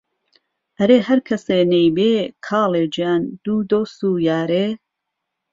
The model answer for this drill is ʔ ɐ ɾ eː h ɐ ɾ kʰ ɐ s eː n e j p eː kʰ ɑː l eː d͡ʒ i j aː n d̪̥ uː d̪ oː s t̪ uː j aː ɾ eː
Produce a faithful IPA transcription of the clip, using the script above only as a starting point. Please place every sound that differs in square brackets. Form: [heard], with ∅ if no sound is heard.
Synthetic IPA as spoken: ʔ ɐ ɾ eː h ɐ ɾ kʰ ɐ s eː n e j [b] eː kʰ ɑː l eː d͡ʒ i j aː n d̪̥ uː d̪ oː s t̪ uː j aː ɾ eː